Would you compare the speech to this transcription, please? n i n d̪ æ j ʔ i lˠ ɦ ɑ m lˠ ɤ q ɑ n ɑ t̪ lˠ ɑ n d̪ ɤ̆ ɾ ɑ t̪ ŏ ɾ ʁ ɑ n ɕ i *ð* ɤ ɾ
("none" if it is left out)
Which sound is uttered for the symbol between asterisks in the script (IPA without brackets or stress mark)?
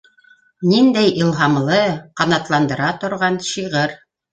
ʁ